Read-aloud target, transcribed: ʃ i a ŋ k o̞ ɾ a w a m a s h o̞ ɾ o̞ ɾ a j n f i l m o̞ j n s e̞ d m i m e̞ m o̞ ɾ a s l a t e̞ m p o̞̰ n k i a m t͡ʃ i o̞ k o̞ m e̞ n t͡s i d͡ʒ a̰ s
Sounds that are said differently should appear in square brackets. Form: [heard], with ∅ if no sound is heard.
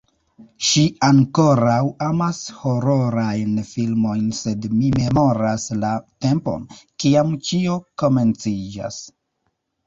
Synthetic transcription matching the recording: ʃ i a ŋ k o̞ ɾ a w a m a s h o̞ ɾ o̞ ɾ a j n f i l m o̞ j n s e̞ d m i m e̞ m o̞ ɾ a s l a t e̞ m p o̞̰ n k i a m t͡ʃ i o̞ k o̞ m e̞ n t͡s i d͡ʒ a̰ s